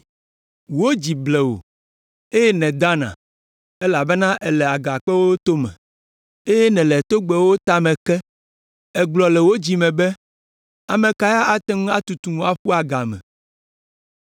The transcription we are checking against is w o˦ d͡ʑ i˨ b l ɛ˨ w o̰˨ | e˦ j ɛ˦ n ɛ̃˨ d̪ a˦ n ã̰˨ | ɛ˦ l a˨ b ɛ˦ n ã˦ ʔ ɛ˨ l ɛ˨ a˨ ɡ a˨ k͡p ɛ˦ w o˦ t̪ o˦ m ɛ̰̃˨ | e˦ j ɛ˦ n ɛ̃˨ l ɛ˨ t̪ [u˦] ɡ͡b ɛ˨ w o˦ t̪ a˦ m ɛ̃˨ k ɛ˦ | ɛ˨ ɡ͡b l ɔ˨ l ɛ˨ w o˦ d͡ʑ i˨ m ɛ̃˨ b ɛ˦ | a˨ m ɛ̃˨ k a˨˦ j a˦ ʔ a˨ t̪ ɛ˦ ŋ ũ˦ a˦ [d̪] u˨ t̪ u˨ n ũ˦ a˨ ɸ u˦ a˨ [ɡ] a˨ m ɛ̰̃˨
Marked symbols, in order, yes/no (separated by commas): no, no, yes